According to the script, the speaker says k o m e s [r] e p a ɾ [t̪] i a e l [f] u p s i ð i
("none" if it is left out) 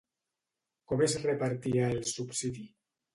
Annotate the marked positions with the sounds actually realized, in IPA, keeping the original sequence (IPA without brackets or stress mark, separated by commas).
r, t̪, s